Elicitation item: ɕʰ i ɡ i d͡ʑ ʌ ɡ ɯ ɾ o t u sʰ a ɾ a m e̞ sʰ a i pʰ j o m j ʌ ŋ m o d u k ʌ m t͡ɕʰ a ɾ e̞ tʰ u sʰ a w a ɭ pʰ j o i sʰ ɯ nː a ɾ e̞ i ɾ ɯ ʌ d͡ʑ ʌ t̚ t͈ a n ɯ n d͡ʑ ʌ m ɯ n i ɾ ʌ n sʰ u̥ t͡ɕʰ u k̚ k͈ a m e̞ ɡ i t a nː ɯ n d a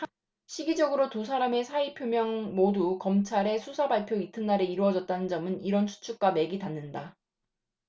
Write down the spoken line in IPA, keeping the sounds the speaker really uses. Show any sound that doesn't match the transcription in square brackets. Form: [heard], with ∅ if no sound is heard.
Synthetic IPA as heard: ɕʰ i ɡ i d͡ʑ ʌ ɡ ɯ ɾ o t u sʰ a ɾ a m e̞ sʰ a i pʰ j o m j ʌ ŋ m o d u k ʌ m t͡ɕʰ a ɾ e̞ [sʰ] u sʰ a [b] a ɭ pʰ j o i [tʰ] ɯ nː a ɾ e̞ i ɾ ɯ ʌ d͡ʑ ʌ t̚ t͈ a n ɯ n d͡ʑ ʌ m ɯ n i ɾ ʌ n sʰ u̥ t͡ɕʰ u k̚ k͈ a m e̞ ɡ i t a nː ɯ n d a